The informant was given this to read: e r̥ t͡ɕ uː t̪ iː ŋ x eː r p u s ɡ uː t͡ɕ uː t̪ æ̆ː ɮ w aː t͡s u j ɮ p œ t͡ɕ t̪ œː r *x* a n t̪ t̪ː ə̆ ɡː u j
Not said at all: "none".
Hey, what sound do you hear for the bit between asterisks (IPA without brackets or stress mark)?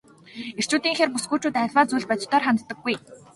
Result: χ